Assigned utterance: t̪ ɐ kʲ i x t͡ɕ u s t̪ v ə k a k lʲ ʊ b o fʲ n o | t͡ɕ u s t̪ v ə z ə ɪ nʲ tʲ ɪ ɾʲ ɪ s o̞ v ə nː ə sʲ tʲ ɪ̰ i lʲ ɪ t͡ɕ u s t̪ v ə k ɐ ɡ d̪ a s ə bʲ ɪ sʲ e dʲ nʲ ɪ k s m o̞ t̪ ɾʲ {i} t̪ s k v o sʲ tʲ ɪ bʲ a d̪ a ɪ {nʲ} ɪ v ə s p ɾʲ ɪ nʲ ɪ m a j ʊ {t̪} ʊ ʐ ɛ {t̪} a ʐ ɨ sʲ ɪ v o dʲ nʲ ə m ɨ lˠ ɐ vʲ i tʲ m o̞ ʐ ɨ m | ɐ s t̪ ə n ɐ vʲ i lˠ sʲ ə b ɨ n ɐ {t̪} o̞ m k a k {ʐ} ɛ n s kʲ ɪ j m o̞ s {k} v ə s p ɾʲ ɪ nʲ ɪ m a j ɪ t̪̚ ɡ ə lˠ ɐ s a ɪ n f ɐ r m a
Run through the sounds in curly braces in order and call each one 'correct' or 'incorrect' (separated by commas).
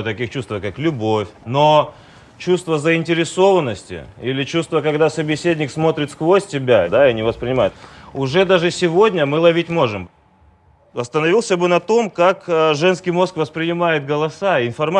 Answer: incorrect, correct, correct, incorrect, correct, correct, correct